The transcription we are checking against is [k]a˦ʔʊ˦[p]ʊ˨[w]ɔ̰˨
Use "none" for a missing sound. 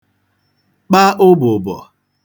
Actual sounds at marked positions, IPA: k͡p, b, b

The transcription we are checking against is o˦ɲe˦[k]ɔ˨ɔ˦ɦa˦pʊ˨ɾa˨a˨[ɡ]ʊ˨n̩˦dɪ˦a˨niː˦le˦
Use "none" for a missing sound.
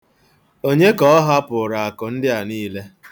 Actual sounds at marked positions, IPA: k, k

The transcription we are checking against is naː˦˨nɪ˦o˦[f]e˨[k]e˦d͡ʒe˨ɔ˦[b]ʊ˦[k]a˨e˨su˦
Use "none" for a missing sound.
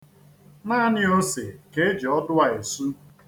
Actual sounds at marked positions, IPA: s, k, d, none

